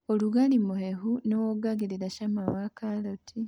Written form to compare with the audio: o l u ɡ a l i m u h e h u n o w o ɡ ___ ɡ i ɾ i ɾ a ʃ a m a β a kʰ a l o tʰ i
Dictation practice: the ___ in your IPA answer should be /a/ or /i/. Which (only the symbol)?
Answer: a